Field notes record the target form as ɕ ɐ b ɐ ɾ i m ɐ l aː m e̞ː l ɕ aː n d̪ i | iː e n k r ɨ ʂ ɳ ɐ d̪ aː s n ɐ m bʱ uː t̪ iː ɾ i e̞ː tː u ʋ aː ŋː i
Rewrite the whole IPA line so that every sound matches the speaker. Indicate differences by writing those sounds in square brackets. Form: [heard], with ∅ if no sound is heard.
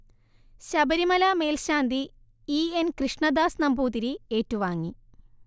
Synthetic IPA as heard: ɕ ɐ b ɐ ɾ i m ɐ l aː m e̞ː l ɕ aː n d̪ i | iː e n k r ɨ ʂ ɳ ɐ d̪ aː s n ɐ m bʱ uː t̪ [i] ɾ i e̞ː tː u ʋ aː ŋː i